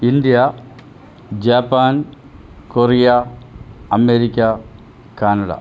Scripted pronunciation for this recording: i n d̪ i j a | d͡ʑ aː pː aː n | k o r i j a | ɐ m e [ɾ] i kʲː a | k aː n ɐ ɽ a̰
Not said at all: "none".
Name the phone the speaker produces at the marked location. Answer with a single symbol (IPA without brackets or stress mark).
ɾ